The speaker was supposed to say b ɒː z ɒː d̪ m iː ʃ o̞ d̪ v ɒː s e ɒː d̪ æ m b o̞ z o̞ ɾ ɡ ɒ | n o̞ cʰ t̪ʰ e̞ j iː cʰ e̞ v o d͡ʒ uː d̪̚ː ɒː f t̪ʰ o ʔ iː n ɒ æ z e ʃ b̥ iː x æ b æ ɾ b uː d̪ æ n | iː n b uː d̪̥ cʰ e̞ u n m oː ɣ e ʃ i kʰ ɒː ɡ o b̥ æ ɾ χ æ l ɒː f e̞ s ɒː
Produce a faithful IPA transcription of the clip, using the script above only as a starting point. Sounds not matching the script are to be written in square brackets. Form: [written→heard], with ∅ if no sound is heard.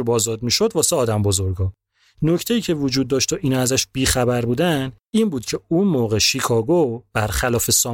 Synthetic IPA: b ɒː z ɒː d̪ m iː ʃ o̞ d̪ v ɒː s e ɒː d̪ æ m b o̞ z o̞ ɾ ɡ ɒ | n o̞ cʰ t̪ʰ e̞ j iː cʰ e̞ v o d͡ʒ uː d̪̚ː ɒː [f→ʃ] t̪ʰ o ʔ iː n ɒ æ z [e→æ] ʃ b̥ iː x æ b æ ɾ b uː d̪ æ n | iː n b uː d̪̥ cʰ e̞ u n m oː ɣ e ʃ i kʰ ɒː ɡ o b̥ æ ɾ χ æ l ɒː f e̞ s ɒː